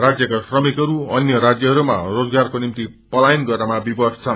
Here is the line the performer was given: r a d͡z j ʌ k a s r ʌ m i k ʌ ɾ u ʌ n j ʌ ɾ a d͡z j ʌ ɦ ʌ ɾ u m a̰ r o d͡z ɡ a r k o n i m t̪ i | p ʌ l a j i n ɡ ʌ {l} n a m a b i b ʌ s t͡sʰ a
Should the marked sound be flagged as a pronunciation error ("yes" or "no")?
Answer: yes